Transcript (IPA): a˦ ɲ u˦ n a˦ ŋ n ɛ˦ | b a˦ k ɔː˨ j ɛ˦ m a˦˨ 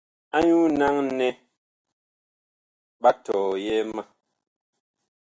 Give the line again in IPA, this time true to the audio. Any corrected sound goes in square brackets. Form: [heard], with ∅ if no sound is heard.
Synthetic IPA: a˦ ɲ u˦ n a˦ ŋ n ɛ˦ | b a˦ [t] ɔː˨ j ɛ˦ m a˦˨

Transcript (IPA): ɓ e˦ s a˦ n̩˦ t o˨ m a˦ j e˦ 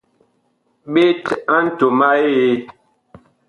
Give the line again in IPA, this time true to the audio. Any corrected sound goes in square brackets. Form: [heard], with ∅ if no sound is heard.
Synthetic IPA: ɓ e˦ [t] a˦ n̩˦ t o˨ m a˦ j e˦

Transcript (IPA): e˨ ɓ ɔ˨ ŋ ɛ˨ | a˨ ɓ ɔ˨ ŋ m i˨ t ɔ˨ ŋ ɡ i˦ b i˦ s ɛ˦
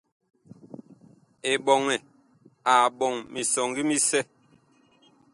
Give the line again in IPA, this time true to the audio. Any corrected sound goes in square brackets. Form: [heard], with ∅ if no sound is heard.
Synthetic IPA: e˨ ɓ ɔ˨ ŋ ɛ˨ | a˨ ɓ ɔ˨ ŋ m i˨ [s] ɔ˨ ŋ ɡ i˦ [m] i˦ s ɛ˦

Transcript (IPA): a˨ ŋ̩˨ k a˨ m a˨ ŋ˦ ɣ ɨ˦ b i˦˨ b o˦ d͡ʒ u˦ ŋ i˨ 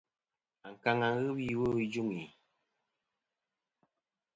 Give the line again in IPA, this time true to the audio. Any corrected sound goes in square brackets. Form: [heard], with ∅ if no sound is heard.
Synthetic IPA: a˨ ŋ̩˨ k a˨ [ŋ] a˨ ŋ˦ ɣ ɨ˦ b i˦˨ [w] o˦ d͡ʒ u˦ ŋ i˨

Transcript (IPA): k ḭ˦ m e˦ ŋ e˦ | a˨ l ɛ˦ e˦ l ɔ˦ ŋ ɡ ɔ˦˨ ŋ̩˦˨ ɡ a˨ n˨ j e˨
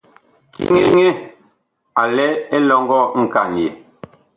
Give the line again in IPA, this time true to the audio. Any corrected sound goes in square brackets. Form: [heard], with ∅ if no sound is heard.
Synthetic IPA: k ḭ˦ [ŋ] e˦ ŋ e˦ | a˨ l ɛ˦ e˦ l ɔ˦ ŋ ɡ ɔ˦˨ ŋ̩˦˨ [k] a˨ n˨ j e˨

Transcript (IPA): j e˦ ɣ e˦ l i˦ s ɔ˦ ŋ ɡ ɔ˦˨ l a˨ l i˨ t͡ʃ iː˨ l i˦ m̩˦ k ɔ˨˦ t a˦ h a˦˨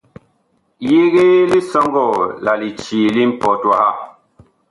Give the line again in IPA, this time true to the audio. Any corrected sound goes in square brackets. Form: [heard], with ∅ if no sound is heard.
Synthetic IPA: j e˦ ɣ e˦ l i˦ s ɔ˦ ŋ ɡ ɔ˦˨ l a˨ l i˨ t͡ʃ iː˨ l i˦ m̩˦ [p] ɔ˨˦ t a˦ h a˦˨

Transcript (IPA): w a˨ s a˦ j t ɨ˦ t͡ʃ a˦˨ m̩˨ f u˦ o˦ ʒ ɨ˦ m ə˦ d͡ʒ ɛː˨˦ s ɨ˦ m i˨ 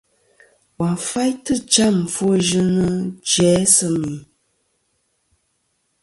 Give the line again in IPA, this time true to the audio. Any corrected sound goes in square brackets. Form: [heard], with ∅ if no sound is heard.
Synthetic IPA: w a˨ [f] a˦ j t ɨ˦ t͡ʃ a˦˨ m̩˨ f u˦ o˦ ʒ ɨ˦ [n] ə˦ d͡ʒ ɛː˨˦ s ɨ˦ m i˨

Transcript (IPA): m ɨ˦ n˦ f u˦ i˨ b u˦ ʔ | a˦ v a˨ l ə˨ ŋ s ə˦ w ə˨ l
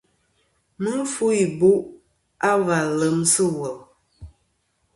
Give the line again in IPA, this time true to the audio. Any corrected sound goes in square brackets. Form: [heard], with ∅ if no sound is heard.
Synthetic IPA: m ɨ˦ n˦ f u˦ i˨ b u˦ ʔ | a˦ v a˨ l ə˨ [m] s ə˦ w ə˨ l

